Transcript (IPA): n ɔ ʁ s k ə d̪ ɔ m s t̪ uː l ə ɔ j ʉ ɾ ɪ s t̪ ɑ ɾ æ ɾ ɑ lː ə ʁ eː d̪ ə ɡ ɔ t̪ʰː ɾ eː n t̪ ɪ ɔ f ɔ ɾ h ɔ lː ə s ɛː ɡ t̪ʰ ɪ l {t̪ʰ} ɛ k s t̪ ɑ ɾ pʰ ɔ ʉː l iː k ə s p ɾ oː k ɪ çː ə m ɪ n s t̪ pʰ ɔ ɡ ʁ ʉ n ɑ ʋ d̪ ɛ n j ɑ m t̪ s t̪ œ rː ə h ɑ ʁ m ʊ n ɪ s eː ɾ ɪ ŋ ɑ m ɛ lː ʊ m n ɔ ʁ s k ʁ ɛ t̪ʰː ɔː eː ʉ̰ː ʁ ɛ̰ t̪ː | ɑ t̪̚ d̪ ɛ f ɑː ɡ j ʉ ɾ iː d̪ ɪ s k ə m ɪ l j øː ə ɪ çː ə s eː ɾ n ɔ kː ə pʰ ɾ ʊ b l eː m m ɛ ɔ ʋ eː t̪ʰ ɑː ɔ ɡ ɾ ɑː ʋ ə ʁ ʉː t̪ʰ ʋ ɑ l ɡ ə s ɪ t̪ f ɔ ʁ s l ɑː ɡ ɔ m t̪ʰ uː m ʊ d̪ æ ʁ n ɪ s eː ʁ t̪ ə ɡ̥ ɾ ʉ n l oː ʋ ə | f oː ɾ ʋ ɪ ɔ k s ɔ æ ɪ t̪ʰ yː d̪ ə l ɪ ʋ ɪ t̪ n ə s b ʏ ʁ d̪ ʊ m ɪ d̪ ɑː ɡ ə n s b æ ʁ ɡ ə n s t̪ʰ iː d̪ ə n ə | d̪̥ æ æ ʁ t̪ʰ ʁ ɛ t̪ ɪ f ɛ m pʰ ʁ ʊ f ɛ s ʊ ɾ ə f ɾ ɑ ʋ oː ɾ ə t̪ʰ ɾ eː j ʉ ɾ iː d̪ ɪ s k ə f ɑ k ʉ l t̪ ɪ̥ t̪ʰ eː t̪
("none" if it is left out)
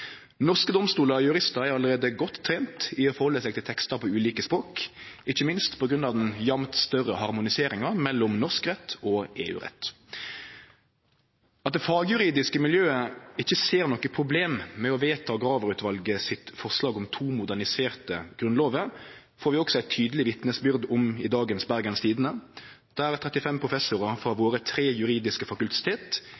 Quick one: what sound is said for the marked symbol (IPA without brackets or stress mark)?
t̪ʰ